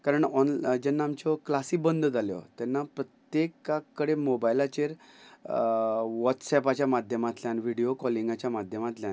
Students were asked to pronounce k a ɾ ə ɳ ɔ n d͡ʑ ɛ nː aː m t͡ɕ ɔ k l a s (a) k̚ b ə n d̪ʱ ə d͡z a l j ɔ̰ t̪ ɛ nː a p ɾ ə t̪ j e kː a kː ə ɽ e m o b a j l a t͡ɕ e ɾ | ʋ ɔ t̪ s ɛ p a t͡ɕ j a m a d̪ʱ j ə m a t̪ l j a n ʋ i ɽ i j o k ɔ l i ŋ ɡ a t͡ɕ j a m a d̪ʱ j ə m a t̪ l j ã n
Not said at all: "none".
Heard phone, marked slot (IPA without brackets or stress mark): i